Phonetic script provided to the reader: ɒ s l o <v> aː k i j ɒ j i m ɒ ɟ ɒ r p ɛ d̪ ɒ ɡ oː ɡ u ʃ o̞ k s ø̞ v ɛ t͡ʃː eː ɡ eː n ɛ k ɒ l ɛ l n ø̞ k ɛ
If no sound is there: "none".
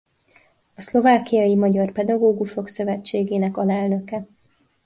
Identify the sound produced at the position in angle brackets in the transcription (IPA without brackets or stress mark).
v